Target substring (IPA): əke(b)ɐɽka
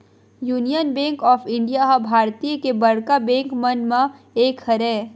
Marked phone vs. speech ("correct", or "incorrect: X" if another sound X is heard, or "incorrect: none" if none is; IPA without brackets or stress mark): correct